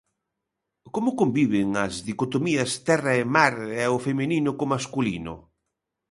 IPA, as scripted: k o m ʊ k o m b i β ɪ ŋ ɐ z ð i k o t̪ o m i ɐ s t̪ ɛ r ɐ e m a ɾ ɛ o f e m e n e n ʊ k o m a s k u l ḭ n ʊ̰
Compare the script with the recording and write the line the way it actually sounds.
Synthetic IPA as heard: k o m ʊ k o m b i β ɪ ŋ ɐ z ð i k o t̪ o m i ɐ s t̪ ɛ r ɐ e m a ɾ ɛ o f e m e n i n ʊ k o m a s k u l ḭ n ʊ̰